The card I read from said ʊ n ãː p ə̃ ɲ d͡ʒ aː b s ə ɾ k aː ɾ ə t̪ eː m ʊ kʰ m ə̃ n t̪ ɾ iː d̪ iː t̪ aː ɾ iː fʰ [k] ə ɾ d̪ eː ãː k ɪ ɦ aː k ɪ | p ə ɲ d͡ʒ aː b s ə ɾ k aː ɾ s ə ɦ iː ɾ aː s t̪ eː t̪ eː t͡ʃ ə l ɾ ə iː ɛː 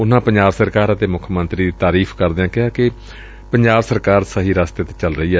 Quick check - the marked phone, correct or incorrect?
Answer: correct